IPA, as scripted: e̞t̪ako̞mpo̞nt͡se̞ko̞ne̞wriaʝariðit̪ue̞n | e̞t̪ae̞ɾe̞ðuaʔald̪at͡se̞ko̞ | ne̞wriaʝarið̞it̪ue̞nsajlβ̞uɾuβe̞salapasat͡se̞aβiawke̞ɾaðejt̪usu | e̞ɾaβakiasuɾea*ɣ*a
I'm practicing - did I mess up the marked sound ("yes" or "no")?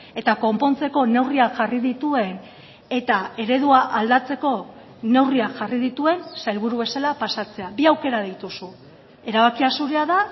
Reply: yes